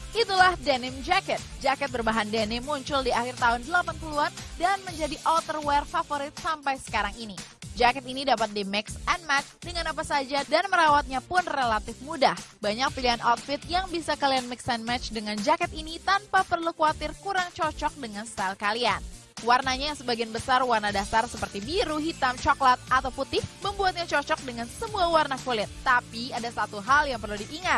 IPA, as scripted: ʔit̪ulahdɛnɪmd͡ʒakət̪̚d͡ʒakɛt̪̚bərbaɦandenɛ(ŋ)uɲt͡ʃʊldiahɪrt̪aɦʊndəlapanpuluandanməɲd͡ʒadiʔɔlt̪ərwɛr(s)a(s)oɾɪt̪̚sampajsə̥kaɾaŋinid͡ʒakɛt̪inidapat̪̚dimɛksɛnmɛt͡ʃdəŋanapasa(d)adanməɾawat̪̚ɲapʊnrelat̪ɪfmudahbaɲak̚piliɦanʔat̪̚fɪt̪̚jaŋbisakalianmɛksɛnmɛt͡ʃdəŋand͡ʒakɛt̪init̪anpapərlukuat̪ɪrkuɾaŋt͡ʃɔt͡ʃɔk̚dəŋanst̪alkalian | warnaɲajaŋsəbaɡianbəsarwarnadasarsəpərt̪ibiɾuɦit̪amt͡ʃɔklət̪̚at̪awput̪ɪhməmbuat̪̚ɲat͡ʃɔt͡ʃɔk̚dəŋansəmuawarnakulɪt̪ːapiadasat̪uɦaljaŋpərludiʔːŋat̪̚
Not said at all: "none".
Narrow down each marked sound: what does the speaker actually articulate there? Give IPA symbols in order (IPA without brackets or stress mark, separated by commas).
m, f, f, d͡ʒ